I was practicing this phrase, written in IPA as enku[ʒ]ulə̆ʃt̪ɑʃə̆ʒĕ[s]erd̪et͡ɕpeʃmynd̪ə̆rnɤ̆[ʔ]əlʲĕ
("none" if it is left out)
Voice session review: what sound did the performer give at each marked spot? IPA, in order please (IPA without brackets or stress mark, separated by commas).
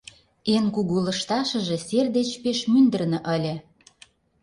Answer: ɣ, s, ʔ